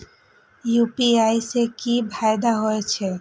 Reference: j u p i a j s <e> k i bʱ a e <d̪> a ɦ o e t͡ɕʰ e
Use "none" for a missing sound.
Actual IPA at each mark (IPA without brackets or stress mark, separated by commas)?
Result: e, d̪